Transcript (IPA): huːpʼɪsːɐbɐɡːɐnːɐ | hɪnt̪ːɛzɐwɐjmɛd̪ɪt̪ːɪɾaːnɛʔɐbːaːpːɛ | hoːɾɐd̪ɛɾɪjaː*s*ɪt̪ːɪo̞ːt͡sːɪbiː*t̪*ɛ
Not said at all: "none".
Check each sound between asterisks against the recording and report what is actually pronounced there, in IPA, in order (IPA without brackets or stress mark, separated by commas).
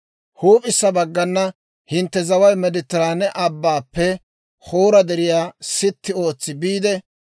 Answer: s, d̪